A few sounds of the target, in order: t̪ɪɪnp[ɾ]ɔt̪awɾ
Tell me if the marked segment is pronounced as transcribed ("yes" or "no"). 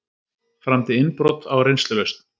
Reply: yes